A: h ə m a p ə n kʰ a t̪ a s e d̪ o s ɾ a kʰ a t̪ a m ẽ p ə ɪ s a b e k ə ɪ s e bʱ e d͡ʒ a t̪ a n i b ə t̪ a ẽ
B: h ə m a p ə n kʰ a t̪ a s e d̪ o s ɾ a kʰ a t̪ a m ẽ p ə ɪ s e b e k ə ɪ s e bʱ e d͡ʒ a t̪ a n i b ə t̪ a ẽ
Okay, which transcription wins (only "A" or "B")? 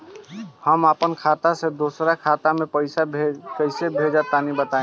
A